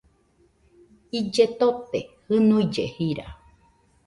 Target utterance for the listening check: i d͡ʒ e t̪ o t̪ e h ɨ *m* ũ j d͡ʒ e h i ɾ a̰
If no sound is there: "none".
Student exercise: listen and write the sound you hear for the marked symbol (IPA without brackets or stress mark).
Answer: n